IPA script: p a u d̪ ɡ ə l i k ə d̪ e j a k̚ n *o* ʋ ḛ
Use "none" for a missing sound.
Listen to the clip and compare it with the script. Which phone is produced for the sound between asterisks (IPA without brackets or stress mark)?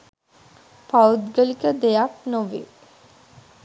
o